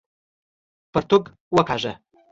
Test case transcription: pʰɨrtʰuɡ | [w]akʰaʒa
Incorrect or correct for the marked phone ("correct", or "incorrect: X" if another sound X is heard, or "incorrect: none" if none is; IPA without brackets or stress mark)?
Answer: correct